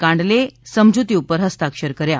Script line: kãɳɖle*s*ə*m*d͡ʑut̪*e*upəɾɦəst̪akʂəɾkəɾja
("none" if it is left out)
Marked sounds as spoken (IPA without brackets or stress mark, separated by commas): s, m, i